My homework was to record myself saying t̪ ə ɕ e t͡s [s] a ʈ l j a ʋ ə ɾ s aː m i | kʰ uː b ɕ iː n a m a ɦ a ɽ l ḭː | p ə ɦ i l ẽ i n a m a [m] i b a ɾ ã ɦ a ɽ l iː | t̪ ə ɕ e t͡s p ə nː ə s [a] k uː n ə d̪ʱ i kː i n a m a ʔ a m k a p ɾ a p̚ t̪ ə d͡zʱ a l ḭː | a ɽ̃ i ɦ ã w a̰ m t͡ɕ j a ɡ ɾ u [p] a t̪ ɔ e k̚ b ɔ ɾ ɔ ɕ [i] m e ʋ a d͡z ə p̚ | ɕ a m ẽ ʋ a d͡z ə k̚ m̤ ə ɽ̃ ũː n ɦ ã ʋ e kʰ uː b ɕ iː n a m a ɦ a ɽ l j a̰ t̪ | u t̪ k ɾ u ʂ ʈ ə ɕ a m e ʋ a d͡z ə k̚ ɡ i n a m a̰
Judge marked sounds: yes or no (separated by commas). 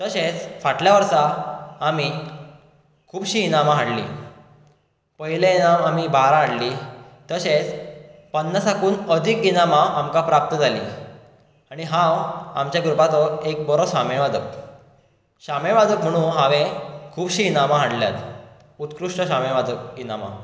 no, yes, yes, yes, no